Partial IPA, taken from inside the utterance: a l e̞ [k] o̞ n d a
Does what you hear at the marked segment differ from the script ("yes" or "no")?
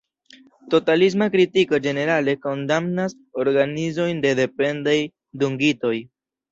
no